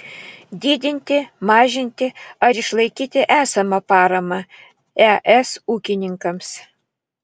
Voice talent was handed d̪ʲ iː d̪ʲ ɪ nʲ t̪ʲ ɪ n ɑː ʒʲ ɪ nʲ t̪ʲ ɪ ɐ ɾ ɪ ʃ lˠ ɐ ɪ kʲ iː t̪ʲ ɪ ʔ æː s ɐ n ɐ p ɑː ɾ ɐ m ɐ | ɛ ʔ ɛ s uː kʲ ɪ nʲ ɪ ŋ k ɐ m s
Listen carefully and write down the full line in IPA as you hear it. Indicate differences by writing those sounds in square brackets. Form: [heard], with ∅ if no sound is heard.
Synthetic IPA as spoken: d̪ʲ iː d̪ʲ ɪ nʲ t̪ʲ ɪ [m] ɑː ʒʲ ɪ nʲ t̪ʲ ɪ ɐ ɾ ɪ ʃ lˠ ɐ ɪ kʲ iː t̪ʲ ɪ ʔ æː s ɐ [m] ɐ p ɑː ɾ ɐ m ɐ | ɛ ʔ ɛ s uː kʲ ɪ nʲ ɪ ŋ k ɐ m s

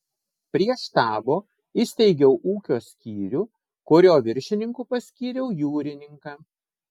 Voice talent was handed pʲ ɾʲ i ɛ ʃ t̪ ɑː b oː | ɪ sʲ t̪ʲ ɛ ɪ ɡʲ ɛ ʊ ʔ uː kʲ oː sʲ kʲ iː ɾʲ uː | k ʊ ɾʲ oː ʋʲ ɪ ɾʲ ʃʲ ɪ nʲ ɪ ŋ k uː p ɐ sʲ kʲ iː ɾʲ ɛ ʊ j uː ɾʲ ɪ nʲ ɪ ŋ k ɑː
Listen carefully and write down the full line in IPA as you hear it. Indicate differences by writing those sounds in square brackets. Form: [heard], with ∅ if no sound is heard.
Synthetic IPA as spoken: pʲ ɾʲ i ɛ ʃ t̪ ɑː b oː | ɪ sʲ t̪ʲ ɛ ɪ ɡʲ ɛ ʊ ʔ uː kʲ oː sʲ kʲ iː ɾʲ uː | k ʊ ɾʲ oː ʋʲ ɪ ɾʲ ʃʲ ɪ nʲ ɪ ŋ k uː p ɐ sʲ kʲ iː ɾʲ ɛ ʊ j uː ɾʲ ɪ nʲ ɪ ŋ k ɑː

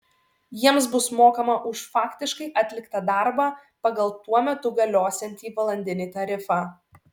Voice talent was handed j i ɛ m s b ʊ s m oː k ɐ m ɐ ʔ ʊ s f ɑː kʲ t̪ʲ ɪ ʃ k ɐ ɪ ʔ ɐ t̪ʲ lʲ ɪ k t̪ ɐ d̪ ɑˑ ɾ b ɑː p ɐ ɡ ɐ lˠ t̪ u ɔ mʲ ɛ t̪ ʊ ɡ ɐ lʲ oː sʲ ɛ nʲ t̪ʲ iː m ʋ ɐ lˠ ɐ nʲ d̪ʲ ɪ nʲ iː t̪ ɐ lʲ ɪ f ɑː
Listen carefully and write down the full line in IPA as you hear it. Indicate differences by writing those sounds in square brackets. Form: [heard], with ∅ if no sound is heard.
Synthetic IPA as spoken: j i ɛ m s b ʊ s m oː k ɐ m ɐ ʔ ʊ [ʃ] f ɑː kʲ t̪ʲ ɪ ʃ k ɐ ɪ ʔ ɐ t̪ʲ lʲ ɪ k t̪ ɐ d̪ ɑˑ ɾ b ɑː p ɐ ɡ ɐ lˠ t̪ u ɔ mʲ ɛ t̪ ʊ ɡ ɐ lʲ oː sʲ ɛ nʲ t̪ʲ iː [∅] ʋ ɐ lˠ ɐ nʲ d̪ʲ ɪ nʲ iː t̪ ɐ [ɾʲ] ɪ f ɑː

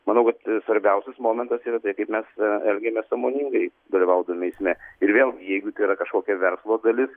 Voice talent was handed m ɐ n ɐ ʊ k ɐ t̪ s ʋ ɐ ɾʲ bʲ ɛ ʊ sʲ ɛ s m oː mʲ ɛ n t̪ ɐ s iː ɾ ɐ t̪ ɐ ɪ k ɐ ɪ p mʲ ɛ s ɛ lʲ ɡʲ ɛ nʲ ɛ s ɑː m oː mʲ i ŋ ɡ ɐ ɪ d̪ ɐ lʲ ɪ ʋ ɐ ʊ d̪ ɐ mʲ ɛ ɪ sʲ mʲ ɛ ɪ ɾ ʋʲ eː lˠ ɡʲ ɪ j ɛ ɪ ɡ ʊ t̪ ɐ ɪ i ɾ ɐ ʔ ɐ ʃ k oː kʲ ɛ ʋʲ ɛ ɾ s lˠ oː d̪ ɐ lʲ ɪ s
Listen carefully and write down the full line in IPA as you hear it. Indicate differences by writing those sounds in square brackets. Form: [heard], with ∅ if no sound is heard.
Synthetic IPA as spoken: m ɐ n ɐ ʊ k ɐ t̪ s ʋ ɐ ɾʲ bʲ ɛ ʊ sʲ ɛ s m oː mʲ ɛ n t̪ ɐ s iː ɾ ɐ t̪ ɐ ɪ k ɐ ɪ p mʲ ɛ s ɛ lʲ ɡʲ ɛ [mʲ] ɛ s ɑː m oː [nʲ] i ŋ ɡ ɐ ɪ d̪ ɐ lʲ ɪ ʋ ɐ ʊ d̪ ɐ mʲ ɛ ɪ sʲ mʲ ɛ ɪ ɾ ʋʲ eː lˠ ɡʲ ɪ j ɛ ɪ ɡ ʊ t̪ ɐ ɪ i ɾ ɐ [k] ɐ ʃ k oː kʲ ɛ ʋʲ ɛ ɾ s lˠ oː d̪ ɐ lʲ ɪ s

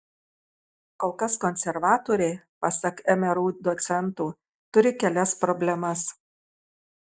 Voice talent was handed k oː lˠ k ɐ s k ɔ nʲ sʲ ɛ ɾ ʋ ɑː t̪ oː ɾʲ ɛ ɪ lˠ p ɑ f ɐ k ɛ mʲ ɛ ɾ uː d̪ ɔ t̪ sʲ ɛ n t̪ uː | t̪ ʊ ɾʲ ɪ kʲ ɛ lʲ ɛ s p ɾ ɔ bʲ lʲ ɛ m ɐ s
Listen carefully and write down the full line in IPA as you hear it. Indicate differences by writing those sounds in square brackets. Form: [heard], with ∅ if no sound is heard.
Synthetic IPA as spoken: k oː lˠ k ɐ s k ɔ nʲ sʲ ɛ ɾ ʋ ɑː t̪ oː ɾʲ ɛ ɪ [∅] p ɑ [s] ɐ k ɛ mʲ ɛ ɾ uː d̪ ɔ t̪ sʲ ɛ n t̪ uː | t̪ ʊ ɾʲ ɪ kʲ ɛ lʲ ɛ s p ɾ ɔ bʲ lʲ ɛ m ɐ s

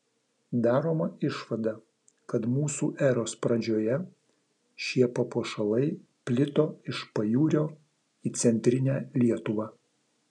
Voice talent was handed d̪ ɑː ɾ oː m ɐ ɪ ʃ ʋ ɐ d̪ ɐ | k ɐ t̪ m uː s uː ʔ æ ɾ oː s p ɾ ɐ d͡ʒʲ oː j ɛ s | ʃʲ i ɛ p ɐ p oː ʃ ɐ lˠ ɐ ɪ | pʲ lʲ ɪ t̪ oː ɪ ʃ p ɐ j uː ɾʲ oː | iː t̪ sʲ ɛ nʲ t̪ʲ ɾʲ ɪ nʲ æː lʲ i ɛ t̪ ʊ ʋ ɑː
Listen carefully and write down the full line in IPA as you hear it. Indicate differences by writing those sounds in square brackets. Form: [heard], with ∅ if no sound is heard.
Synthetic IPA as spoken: d̪ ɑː ɾ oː m ɐ ɪ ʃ ʋ ɐ d̪ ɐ | k ɐ t̪ m uː s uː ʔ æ ɾ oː s p ɾ ɐ d͡ʒʲ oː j ɛ [∅] | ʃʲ i ɛ p ɐ p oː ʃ ɐ lˠ ɐ ɪ | pʲ lʲ ɪ t̪ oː ɪ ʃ p ɐ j uː ɾʲ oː | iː t̪ sʲ ɛ nʲ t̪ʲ ɾʲ ɪ nʲ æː lʲ i ɛ t̪ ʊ ʋ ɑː

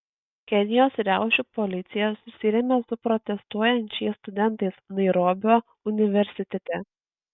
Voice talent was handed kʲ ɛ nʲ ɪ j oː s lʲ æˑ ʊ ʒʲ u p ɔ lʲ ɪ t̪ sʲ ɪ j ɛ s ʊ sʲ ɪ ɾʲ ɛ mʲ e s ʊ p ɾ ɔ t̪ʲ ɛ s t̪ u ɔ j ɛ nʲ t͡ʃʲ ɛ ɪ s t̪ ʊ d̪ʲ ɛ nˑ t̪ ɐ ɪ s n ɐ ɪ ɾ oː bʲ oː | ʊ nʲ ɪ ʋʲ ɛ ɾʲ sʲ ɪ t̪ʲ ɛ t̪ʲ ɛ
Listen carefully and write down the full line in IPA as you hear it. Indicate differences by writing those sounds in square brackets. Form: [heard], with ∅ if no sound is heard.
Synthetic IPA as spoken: kʲ ɛ nʲ ɪ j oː s [ɾʲ] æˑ ʊ [ʃʲ] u p ɔ lʲ ɪ t̪ sʲ ɪ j ɛ s ʊ sʲ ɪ ɾʲ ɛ mʲ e s ʊ p ɾ ɔ t̪ʲ ɛ s t̪ u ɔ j ɛ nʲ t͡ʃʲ ɛ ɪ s t̪ ʊ d̪ʲ ɛ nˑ t̪ ɐ ɪ s n ɐ ɪ ɾ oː bʲ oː | ʊ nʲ ɪ ʋʲ ɛ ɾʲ sʲ ɪ t̪ʲ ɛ t̪ʲ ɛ

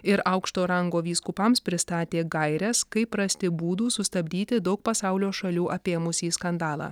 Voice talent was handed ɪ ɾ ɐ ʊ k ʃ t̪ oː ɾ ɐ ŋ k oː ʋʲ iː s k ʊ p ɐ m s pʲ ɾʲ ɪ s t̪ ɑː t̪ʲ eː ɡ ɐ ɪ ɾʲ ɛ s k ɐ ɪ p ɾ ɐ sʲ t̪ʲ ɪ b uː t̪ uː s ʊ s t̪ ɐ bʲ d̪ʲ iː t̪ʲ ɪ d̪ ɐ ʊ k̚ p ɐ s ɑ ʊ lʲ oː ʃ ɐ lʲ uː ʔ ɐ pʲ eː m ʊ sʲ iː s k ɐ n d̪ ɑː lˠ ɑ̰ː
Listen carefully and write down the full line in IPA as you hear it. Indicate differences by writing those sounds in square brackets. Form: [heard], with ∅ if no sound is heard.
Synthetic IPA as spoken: ɪ ɾ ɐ ʊ k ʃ t̪ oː ɾ ɐ ŋ [ɡ] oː ʋʲ iː s k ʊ p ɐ m s pʲ ɾʲ ɪ s t̪ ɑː t̪ʲ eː ɡ ɐ ɪ ɾʲ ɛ s k ɐ ɪ p ɾ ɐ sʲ t̪ʲ ɪ b uː [d̪] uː s ʊ s t̪ ɐ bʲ d̪ʲ iː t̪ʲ ɪ d̪ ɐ ʊ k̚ p ɐ s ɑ ʊ lʲ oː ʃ ɐ lʲ uː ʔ ɐ pʲ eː m ʊ sʲ iː s k ɐ n d̪ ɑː lˠ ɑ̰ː

